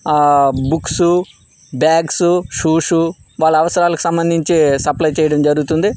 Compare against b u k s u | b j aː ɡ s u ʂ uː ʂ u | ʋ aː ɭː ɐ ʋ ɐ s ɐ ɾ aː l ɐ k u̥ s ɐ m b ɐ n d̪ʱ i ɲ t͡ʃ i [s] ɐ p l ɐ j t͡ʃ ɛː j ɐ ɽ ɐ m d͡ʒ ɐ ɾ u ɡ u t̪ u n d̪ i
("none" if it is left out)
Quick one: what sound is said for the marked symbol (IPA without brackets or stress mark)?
s